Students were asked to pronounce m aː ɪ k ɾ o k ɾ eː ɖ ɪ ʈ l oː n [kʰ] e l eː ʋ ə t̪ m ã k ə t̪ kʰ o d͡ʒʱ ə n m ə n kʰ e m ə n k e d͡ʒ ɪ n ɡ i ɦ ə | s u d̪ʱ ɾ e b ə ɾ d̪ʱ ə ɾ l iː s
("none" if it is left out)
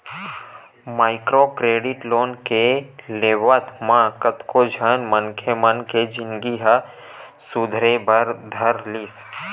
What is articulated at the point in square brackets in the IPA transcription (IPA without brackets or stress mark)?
k